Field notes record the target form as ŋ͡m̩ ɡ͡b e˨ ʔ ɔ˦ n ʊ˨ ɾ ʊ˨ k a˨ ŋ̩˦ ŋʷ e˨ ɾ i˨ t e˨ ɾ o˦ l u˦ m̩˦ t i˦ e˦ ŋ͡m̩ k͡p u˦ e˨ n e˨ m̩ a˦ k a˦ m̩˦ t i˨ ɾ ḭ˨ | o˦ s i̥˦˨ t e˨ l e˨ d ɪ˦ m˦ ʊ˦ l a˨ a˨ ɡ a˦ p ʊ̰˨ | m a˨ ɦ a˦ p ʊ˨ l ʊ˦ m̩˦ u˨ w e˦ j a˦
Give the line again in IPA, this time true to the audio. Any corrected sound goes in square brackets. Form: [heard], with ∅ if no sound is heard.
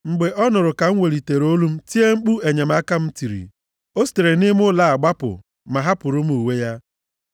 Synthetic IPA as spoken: ŋ͡m̩ ɡ͡b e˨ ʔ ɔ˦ n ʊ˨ ɾ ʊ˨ k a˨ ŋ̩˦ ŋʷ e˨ ɾ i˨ t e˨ ɾ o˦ l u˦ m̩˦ t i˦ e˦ ŋ͡m̩ k͡p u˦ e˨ [ɲ] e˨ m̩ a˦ k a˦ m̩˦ t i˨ ɾ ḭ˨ | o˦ s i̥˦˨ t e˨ [ɾ] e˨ [n] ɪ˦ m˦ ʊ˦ l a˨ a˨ [ɡ͡b] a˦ p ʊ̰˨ | m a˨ ɦ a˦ p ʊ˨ [ɾ] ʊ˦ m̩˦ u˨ w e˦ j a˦